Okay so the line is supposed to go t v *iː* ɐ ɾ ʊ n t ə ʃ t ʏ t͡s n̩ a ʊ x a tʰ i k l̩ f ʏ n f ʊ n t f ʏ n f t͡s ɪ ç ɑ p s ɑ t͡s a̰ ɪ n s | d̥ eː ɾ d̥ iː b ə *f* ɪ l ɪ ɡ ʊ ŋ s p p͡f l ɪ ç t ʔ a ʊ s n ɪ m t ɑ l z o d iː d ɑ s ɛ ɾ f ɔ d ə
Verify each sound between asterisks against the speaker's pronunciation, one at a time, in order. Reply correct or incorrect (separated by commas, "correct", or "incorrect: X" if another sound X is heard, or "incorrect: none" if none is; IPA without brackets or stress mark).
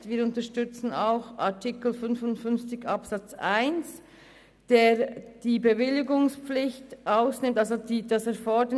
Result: correct, incorrect: v